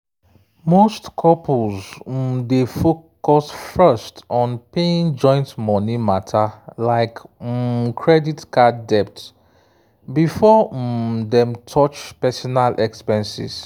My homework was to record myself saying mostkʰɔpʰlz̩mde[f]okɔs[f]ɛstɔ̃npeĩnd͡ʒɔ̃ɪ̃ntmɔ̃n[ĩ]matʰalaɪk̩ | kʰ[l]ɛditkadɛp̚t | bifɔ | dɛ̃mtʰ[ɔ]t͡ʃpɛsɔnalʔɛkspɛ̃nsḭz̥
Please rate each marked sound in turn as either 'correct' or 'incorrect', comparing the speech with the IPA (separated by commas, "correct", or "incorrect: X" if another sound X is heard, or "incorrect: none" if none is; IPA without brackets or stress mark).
correct, correct, incorrect: i, incorrect: ɹ, correct